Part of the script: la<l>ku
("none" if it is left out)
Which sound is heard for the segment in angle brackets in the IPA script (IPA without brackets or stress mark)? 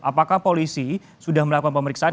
none